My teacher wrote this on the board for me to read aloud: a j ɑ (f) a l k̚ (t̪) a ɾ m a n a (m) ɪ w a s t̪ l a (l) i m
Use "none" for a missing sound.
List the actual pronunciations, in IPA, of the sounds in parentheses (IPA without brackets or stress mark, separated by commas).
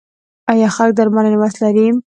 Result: x, d̪, n, ɾ